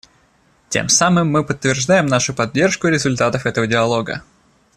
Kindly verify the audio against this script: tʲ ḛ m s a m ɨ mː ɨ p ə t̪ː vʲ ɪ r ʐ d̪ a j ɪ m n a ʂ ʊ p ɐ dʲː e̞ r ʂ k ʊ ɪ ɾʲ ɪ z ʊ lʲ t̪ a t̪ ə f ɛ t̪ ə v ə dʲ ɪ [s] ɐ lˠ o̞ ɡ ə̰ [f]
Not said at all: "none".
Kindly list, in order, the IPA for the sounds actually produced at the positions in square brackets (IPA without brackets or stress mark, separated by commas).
none, none